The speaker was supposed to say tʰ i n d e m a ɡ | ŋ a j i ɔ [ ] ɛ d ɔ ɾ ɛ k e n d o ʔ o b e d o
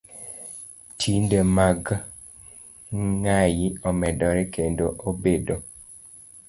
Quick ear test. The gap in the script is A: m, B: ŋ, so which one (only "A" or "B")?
A